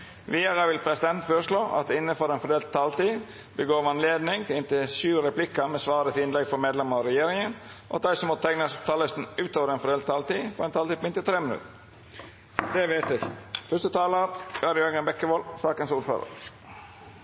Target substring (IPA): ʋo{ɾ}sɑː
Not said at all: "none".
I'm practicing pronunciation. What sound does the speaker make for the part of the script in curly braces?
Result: l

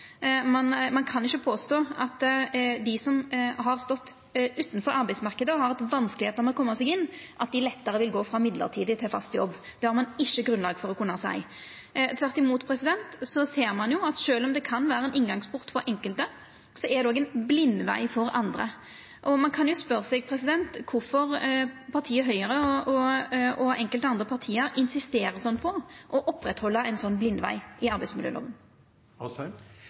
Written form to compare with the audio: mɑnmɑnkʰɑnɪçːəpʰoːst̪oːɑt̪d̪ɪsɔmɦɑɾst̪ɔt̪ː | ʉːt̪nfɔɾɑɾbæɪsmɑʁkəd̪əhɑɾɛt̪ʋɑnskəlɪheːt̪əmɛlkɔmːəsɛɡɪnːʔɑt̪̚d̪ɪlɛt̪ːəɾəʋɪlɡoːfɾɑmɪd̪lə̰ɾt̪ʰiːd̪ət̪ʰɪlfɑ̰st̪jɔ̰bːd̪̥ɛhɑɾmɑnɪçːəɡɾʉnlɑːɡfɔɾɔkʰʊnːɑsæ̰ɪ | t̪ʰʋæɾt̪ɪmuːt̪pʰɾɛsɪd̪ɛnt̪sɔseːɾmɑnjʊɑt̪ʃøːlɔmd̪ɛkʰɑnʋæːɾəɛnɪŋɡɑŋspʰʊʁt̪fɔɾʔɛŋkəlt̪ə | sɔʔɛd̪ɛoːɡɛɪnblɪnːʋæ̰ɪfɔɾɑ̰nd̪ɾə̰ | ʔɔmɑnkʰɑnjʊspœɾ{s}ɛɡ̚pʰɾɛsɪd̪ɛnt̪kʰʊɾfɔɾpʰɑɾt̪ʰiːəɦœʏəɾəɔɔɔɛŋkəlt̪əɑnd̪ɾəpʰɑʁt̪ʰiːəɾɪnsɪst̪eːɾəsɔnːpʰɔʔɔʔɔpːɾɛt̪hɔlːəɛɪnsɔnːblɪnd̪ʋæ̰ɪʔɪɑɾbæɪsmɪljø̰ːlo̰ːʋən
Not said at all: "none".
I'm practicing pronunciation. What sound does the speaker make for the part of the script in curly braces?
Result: s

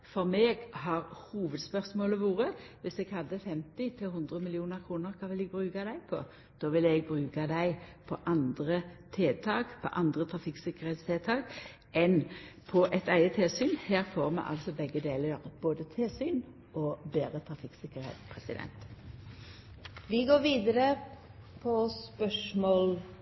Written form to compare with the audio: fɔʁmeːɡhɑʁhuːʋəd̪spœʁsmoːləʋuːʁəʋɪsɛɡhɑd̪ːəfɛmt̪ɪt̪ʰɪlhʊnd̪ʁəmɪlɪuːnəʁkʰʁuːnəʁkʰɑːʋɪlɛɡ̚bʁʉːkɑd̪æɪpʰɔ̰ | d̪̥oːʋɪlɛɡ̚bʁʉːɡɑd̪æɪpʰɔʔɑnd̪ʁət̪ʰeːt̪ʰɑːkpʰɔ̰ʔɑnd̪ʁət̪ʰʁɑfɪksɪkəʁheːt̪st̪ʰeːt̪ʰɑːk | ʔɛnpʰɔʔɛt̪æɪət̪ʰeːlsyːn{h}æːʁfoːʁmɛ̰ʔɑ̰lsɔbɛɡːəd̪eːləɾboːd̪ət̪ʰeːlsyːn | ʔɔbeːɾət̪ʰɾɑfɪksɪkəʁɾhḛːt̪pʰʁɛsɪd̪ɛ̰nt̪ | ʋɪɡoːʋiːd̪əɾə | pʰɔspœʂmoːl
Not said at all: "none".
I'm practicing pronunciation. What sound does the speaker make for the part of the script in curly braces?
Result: h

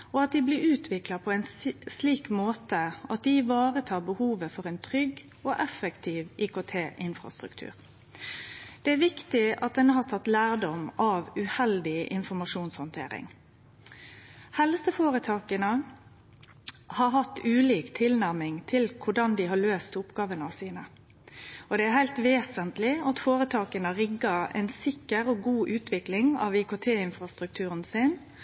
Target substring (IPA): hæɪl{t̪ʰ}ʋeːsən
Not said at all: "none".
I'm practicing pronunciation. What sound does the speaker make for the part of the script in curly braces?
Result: t̪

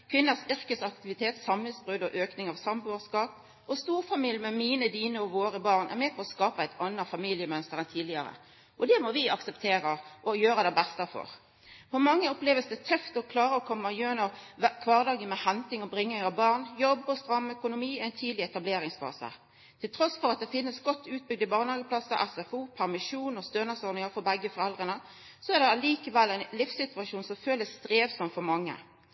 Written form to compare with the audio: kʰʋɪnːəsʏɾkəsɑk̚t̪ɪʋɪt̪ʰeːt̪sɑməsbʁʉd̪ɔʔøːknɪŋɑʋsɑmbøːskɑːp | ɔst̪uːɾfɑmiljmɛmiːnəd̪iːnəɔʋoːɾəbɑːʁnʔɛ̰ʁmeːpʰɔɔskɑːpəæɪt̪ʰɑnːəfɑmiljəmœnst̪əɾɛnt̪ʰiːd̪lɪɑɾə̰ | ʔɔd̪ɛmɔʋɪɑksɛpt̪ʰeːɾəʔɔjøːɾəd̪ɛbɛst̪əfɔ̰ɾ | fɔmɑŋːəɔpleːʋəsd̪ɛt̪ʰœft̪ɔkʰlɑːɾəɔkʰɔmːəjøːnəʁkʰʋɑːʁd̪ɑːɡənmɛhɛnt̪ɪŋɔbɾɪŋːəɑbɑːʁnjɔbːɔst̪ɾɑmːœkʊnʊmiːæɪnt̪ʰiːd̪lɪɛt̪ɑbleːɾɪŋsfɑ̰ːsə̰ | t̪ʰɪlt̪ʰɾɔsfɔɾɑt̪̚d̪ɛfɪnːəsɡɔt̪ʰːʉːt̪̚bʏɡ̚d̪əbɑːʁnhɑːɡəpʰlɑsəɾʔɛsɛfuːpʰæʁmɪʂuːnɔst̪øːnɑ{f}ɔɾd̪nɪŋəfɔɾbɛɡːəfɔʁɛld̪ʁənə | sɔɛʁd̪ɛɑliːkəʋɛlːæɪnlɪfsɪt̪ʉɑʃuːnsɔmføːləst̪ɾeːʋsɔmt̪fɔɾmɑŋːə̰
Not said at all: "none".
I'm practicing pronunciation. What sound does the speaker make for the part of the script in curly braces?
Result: s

